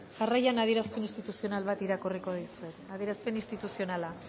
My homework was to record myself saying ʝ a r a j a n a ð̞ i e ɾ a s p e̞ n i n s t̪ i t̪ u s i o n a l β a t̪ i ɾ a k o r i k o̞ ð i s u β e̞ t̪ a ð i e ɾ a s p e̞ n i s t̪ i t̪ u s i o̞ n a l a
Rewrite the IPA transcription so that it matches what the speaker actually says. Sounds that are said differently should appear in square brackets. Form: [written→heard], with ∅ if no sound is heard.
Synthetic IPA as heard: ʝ a r a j a n a ð̞ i e ɾ a s p e̞ n i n s t̪ i t̪ u s i o n a l β a t̪ i ɾ a k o r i k o̞ ð i s u [β→∅] e̞ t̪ a ð i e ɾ a s p e̞ n i s t̪ i t̪ u s i o̞ n a l a